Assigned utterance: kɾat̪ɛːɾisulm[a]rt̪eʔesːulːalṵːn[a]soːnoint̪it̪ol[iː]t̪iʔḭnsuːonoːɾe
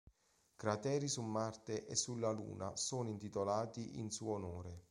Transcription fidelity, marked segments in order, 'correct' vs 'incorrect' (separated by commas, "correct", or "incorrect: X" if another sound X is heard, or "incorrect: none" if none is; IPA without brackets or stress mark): correct, correct, incorrect: aː